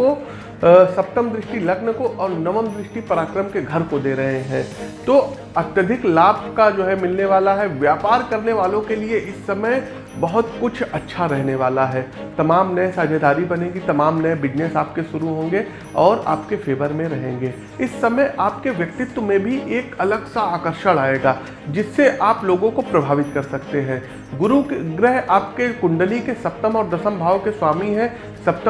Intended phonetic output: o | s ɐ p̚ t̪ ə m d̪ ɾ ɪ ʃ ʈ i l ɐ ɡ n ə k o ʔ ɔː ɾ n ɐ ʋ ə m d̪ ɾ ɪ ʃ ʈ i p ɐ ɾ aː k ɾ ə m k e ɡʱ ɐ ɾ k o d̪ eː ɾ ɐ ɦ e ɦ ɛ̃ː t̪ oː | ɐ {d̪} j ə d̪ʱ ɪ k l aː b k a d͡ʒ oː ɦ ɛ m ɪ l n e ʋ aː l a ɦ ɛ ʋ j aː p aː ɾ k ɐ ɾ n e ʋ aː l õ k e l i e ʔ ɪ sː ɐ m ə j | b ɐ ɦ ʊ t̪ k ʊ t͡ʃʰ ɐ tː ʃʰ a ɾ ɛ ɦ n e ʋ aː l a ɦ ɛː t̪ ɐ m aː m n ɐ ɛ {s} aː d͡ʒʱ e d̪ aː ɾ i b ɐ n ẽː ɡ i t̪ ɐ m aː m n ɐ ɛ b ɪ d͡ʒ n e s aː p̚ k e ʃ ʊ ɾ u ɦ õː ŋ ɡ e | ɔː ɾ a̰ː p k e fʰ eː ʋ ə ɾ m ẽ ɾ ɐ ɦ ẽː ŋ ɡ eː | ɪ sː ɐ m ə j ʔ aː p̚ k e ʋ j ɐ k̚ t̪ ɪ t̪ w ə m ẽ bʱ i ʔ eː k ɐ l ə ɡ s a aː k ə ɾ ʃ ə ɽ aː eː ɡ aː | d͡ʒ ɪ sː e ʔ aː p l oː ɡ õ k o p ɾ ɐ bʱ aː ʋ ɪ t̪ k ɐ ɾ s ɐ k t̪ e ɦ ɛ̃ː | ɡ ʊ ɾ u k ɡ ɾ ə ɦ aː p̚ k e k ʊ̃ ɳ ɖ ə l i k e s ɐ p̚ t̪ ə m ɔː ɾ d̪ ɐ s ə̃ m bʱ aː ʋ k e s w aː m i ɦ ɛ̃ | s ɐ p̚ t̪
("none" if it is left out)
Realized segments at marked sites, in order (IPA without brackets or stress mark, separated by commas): t̪, s